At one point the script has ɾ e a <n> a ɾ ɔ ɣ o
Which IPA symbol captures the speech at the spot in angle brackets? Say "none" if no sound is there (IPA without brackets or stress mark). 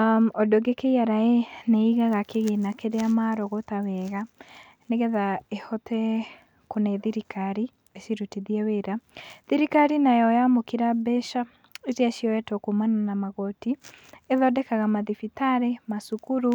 m